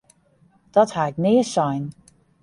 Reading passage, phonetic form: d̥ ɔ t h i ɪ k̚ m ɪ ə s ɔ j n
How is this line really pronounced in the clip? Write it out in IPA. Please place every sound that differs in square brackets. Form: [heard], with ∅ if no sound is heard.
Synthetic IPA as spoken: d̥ ɔ t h [a] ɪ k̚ [n] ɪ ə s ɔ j n